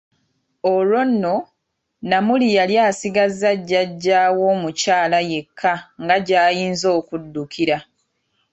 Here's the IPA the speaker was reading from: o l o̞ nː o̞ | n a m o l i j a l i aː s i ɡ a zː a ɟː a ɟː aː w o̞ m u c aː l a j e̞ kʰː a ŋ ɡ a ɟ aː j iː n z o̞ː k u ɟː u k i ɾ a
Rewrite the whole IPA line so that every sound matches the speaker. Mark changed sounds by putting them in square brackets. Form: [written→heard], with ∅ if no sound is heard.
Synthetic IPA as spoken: o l o̞ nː o̞ | n a m [o→u] l i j a l [i→j] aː s i ɡ a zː a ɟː a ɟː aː w o̞ m u c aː l a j e̞ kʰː a ŋ ɡ a ɟ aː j iː n z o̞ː k u [ɟː→dː] u k i ɾ a